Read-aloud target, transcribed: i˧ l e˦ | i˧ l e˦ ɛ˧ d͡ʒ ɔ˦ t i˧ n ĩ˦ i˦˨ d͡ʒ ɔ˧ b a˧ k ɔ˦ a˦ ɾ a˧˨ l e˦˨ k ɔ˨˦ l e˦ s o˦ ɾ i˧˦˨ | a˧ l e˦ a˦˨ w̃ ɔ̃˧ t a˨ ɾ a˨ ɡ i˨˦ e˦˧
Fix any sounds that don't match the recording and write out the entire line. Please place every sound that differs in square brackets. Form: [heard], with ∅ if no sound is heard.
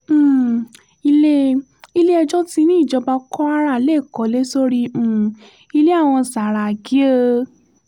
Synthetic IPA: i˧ l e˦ | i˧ l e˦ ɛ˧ d͡ʒ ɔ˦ t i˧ n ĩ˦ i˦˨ d͡ʒ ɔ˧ b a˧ k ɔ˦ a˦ ɾ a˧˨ l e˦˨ k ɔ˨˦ l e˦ s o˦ ɾ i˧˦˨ | [i˧] l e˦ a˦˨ w̃ ɔ̃˧ [s] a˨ ɾ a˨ ɡ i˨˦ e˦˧